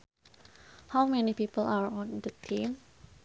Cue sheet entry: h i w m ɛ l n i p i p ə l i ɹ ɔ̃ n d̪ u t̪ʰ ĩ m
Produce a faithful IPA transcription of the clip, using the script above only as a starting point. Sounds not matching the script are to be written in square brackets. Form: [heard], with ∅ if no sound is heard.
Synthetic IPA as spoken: h [a] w m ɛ [∅] n i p i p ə l [a] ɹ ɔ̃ n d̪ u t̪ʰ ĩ m